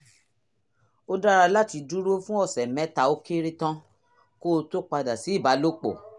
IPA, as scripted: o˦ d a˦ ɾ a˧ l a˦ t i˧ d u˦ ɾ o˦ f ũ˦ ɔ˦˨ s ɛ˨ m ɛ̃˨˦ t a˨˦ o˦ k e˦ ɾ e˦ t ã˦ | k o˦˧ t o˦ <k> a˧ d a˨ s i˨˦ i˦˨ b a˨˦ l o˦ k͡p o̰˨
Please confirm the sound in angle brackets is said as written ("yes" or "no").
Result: no